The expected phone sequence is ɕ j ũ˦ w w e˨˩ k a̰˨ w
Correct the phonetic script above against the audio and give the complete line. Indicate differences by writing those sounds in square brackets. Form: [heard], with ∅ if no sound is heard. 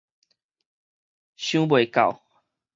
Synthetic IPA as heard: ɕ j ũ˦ [b] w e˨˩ k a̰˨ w